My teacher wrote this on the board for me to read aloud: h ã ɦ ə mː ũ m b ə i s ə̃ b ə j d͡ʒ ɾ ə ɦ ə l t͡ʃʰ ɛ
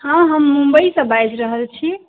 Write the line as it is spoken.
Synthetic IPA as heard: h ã ɦ ə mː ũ m b ə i s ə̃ b a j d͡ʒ ɾ ə ɦ ə l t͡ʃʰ i